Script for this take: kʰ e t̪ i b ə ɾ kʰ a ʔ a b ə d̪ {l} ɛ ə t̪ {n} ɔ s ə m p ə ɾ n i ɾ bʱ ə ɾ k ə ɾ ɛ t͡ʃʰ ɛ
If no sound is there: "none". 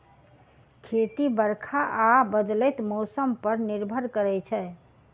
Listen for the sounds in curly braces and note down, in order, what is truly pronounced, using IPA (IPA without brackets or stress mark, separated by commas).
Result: l, m